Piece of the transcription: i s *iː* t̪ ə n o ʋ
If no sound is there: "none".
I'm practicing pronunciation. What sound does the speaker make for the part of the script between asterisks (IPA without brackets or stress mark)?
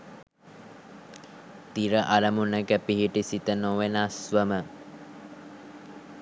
i